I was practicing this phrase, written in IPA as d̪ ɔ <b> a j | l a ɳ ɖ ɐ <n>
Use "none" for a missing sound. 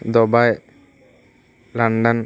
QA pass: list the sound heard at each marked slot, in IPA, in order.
b, n

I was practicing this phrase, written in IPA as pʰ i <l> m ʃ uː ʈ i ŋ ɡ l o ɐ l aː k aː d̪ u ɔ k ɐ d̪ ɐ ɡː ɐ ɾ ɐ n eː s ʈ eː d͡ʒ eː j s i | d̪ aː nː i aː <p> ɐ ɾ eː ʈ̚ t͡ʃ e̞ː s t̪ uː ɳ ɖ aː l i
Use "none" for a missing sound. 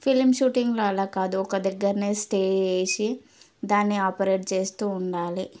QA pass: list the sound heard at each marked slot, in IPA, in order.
l, p

